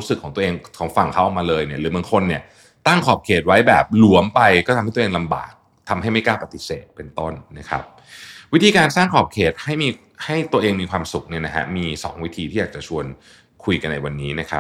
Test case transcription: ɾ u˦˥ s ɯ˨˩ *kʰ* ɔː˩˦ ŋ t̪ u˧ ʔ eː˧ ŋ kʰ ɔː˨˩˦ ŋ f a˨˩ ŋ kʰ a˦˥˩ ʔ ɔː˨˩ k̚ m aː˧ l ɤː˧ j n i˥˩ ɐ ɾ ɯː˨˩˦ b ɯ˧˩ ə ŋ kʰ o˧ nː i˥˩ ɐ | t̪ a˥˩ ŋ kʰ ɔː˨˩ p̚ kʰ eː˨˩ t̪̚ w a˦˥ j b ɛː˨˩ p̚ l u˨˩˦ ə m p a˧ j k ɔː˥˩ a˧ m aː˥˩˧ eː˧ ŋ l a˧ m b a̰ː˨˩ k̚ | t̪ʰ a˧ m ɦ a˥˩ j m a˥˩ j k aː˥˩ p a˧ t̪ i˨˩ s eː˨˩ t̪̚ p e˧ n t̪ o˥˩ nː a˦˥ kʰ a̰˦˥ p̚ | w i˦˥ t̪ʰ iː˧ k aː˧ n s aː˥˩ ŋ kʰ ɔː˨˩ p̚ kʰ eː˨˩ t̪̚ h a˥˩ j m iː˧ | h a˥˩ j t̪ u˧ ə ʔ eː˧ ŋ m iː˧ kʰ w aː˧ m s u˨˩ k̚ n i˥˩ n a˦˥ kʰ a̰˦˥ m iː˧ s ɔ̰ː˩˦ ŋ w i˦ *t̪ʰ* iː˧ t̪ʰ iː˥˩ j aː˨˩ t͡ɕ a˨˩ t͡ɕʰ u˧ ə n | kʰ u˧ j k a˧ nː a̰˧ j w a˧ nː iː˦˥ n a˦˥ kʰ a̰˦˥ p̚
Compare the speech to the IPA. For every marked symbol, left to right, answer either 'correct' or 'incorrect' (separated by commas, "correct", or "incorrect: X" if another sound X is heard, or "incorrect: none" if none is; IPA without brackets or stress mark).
correct, correct